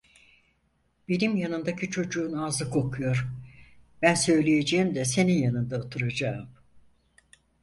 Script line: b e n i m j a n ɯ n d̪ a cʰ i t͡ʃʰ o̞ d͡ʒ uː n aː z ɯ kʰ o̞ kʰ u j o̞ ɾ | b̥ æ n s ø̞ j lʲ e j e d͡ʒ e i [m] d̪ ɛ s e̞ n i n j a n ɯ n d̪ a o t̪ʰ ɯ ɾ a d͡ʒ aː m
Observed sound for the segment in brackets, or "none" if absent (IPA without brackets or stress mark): m